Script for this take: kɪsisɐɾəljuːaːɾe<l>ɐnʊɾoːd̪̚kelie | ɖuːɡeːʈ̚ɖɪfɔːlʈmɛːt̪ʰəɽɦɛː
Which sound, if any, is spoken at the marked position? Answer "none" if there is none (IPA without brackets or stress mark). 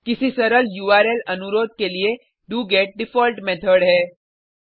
l